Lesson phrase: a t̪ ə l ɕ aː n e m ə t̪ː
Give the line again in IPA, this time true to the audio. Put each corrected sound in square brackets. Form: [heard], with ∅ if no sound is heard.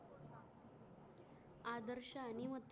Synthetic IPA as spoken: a [d̪] ə [ɾ] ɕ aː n [i] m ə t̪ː